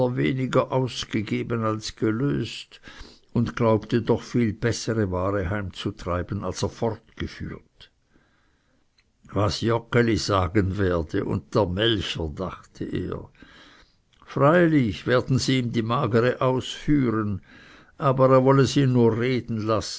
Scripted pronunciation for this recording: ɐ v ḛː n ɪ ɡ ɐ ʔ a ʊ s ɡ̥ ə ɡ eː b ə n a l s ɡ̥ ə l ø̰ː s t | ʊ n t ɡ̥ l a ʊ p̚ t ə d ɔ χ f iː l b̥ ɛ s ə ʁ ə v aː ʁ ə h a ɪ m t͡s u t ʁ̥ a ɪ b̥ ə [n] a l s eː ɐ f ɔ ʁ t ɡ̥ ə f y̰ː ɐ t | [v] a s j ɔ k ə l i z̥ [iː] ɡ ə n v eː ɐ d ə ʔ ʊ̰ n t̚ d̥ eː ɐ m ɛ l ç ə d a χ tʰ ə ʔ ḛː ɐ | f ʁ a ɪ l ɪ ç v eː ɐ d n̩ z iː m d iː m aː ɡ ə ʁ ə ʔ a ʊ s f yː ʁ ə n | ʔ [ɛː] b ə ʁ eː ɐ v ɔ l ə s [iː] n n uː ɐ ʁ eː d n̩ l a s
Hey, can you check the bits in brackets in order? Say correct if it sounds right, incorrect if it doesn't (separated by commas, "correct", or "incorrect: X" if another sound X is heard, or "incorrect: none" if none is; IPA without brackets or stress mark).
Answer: correct, correct, incorrect: aː, incorrect: aː, correct